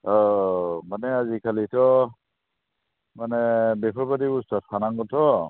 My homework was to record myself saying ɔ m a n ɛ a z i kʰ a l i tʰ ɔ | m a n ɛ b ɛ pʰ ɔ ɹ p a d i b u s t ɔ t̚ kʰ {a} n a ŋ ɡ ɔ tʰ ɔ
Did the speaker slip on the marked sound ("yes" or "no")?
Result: no